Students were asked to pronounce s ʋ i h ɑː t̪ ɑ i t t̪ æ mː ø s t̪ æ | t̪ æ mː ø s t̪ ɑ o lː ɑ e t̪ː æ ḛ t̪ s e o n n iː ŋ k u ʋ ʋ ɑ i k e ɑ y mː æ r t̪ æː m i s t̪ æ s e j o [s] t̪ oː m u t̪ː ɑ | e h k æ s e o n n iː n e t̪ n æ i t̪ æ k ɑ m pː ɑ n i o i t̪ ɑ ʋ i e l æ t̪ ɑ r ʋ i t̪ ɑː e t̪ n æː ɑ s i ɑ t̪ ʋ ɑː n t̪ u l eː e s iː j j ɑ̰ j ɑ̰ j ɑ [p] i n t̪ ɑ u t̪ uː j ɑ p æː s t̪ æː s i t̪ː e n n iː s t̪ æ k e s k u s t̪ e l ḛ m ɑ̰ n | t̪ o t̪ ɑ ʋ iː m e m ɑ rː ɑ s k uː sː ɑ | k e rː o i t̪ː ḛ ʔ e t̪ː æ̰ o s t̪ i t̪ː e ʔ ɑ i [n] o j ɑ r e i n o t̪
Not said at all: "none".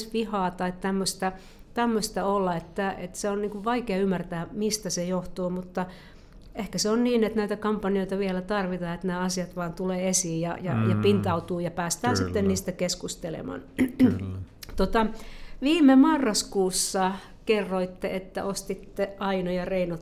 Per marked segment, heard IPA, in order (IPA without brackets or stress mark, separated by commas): h, p, n